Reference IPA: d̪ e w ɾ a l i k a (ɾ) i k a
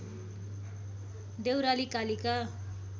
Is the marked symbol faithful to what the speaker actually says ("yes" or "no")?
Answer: no